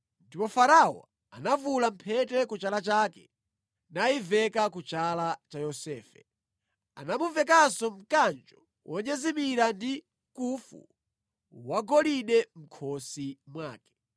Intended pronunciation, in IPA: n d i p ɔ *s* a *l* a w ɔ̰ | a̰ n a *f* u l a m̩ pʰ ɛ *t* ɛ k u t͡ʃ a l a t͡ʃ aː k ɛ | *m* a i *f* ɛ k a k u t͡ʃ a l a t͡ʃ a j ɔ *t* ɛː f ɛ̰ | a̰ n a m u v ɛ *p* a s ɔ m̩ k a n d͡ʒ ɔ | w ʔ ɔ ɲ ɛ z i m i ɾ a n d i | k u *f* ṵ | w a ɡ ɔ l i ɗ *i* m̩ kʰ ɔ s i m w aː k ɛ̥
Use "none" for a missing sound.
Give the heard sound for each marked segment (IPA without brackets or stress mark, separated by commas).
f, ɾ, v, t, n, v, s, k, f, ɛ